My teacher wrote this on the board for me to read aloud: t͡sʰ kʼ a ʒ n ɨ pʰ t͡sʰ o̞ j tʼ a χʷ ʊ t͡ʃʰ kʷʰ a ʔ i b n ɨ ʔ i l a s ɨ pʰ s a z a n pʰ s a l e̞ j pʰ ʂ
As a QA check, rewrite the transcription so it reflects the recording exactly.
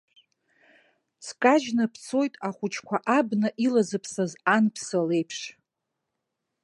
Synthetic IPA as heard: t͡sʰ kʼ a ʒ n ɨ pʰ t͡sʰ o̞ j tʼ a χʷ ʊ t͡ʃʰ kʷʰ a ʔ a b n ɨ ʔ i l a z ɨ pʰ s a z a n pʰ s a l e̞ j pʰ ʂ